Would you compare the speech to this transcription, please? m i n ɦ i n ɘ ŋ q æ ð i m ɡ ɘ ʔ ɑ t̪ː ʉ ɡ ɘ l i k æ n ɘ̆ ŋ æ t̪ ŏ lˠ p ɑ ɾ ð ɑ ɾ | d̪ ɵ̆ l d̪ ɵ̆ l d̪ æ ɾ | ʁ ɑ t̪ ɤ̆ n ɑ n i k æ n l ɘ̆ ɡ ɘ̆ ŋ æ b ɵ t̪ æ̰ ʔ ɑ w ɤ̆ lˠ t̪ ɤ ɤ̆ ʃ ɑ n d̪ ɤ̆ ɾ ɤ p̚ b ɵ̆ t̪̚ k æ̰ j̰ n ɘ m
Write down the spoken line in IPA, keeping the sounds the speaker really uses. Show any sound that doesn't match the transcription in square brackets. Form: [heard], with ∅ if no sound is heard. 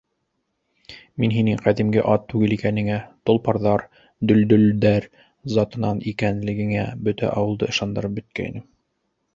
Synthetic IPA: m i n ɦ i n ɘ ŋ q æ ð i m ɡ ɘ ʔ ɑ t̪ː ʉ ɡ ɘ l i k æ n ɘ̆ ŋ æ t̪ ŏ lˠ p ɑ ɾ ð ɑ ɾ | d̪ ɵ̆ l d̪ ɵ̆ l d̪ æ ɾ | [z] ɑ t̪ ɤ̆ n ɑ n i k æ n l ɘ̆ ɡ ɘ̆ ŋ æ b ɵ t̪ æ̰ ʔ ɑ w ɤ̆ lˠ [d̪] ɤ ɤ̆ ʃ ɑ n d̪ ɤ̆ ɾ ɤ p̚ b ɵ̆ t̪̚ k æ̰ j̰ n ɘ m